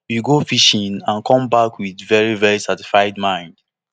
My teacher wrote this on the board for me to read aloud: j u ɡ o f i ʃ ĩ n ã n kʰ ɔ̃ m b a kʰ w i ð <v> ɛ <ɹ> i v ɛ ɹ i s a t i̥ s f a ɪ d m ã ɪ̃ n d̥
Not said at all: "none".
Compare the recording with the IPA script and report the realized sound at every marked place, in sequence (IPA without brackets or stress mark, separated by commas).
v, ɹ